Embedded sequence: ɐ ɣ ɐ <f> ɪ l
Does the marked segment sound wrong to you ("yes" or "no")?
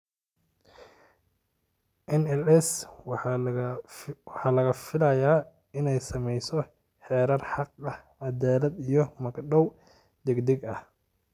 no